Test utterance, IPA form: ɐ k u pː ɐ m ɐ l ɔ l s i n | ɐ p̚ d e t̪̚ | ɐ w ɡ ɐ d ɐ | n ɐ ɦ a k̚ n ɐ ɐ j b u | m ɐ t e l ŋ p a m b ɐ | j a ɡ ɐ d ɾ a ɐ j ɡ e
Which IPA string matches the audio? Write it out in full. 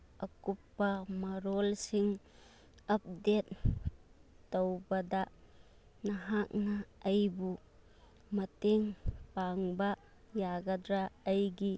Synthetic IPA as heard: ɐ k u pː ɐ m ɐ ɾ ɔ l s i ŋ | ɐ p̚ d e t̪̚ | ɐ w b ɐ d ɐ | n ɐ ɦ a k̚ n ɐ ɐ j b u | m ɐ t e ŋ p a ŋ b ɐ | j a ɡ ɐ d ɾ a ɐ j ɡ i